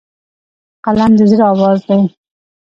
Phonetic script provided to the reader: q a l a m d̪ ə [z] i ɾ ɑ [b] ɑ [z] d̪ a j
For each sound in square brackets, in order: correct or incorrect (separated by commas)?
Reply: correct, incorrect, correct